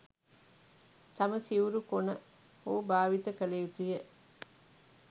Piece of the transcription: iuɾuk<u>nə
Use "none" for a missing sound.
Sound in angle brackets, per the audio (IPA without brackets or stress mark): o